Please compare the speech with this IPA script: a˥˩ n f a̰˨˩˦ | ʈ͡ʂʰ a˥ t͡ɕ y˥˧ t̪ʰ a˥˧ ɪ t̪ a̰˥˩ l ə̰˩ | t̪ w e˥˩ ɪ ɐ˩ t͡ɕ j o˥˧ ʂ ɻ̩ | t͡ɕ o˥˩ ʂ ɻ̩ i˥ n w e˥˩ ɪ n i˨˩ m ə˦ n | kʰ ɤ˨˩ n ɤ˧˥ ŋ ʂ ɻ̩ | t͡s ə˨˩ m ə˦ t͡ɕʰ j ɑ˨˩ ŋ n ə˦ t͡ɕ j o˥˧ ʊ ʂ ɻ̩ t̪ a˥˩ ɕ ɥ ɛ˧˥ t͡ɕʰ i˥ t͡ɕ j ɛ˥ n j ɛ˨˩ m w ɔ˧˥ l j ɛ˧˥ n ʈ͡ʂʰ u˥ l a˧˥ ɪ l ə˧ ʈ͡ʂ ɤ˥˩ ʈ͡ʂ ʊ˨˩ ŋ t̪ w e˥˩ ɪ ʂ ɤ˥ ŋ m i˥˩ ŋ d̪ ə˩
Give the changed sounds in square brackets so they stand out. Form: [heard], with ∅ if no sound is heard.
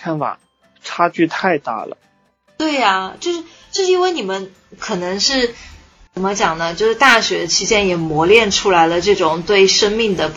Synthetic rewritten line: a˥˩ n f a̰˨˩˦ | ʈ͡ʂʰ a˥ t͡ɕ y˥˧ t̪ʰ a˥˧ ɪ t̪ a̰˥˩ l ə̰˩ | t̪ w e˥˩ ɪ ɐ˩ t͡ɕ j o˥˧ ʂ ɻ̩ | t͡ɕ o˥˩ ʂ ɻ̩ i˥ n w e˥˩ ɪ n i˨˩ m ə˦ n | kʰ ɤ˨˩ n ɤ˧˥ ŋ ʂ ɻ̩ | t͡s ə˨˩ m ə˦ [t͡ɕ] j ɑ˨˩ ŋ n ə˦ t͡ɕ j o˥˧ ʊ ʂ ɻ̩ t̪ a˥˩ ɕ ɥ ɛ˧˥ t͡ɕʰ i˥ t͡ɕ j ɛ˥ n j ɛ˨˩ m w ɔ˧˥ l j [ɛ˥˩] n ʈ͡ʂʰ u˥ l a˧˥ ɪ l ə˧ ʈ͡ʂ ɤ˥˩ ʈ͡ʂ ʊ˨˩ ŋ t̪ w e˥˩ ɪ ʂ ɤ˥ ŋ m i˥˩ ŋ d̪ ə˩